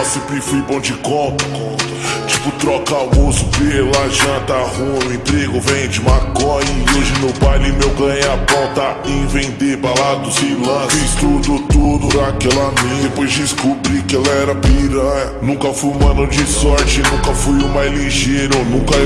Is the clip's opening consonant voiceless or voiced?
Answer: voiceless